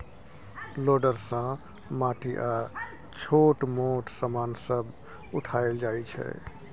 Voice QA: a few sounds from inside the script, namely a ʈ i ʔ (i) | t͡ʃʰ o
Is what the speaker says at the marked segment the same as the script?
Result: no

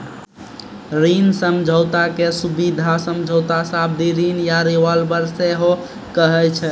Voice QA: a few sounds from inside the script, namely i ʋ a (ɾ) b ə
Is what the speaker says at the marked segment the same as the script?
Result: no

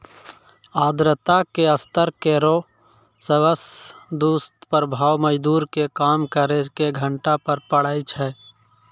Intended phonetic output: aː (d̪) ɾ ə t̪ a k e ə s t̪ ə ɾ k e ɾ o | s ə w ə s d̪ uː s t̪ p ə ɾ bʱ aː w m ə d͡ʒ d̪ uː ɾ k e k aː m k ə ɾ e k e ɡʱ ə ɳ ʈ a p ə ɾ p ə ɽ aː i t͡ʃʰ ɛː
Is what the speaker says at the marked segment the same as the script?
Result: yes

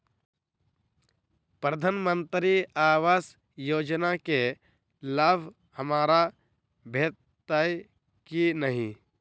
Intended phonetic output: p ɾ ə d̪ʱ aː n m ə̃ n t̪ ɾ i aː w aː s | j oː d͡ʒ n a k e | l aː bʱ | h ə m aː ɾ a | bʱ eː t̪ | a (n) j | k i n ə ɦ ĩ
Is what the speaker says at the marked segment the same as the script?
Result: no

